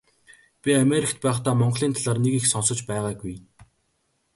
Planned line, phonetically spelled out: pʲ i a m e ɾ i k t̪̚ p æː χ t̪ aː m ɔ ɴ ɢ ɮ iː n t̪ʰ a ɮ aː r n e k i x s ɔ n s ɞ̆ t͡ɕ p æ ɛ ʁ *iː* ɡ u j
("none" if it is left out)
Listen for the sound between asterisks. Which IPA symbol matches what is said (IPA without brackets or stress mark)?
aː